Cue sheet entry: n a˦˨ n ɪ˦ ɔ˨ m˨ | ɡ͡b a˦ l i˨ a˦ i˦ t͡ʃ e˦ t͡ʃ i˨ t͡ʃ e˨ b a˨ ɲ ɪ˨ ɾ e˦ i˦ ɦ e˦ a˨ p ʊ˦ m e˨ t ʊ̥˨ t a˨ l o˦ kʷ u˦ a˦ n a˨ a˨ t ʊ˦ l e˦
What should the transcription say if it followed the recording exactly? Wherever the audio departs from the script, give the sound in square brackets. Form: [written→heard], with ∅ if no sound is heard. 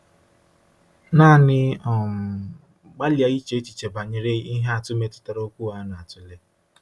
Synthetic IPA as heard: n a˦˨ n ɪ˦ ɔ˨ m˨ | ɡ͡b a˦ l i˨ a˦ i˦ t͡ʃ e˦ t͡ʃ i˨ t͡ʃ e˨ b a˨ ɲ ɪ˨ ɾ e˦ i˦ ɦ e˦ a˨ [p→t] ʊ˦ m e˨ t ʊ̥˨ t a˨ [l→ɾ] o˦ kʷ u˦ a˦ n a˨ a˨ t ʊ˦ l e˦